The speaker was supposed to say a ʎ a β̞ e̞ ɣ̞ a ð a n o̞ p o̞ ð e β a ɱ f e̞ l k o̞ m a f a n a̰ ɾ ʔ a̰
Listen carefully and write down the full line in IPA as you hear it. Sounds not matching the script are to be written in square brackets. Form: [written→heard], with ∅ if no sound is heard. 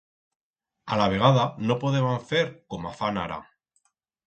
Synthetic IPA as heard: a [ʎ→l] a β̞ e̞ ɣ̞ a ð a n o̞ p o̞ ð e β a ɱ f e̞ [l→ɾ] k o̞ m a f a n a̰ ɾ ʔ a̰